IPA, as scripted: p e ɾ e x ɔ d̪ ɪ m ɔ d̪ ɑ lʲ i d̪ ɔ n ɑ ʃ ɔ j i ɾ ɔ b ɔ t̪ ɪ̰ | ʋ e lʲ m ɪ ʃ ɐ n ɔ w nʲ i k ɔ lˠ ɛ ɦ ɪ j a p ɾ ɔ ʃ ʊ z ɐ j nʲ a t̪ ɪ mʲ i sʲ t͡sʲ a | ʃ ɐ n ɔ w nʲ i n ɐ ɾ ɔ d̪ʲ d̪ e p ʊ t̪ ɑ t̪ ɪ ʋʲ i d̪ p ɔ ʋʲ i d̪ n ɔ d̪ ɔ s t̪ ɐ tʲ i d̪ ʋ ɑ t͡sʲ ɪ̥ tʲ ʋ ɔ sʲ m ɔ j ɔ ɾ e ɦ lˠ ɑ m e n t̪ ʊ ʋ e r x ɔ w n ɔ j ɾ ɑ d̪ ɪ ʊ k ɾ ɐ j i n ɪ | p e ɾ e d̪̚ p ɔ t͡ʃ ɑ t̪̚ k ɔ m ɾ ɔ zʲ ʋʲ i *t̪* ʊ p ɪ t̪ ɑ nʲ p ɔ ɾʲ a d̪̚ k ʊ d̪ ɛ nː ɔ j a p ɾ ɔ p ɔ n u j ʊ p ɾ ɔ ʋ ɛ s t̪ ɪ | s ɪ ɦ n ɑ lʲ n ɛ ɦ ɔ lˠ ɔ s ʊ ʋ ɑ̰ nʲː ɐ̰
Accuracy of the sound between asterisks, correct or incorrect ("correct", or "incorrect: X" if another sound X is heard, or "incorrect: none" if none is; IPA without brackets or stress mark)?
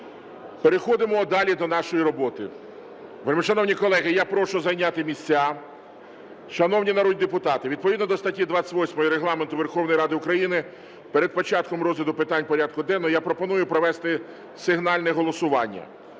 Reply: incorrect: d̪